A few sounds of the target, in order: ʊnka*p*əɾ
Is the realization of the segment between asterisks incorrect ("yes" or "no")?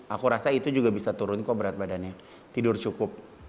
yes